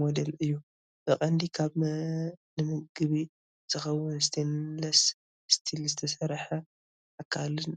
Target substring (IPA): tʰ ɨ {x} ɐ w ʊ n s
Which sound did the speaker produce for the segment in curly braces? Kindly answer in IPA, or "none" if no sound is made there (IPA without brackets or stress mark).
x